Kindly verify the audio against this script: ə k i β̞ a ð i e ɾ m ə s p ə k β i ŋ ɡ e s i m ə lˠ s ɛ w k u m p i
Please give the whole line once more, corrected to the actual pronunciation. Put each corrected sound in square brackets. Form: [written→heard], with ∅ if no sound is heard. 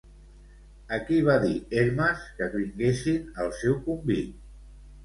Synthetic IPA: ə k i β̞ a ð i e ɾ m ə s [p→k] ə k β i ŋ ɡ e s i [m→n] ə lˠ s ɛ w k u m [p→b] i